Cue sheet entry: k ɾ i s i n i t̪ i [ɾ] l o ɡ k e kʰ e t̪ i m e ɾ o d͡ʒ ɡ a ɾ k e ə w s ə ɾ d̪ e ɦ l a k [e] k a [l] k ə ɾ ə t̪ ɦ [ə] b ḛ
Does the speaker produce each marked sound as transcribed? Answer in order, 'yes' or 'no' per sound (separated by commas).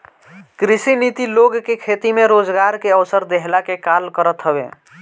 no, yes, yes, yes